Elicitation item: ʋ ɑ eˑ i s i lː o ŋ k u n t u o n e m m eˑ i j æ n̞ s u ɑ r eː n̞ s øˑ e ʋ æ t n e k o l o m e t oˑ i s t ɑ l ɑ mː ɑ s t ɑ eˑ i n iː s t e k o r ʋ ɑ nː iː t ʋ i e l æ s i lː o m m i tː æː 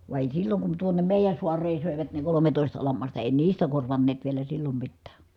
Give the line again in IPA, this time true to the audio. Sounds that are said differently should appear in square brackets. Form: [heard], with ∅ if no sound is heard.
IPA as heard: ʋ ɑ eˑ i s i lː o ŋ k u n t u o n e m m eˑ i j æ n̞ s u ɑ r eː n̞ s øˑ e ʋ æ t n e k o l o m e t oˑ i s t ɑ l ɑ mː ɑ s t ɑ eˑ i n iː s t [æ] k o r ʋ ɑ nː [eː] t ʋ i e l æ s i lː o m m i tː æː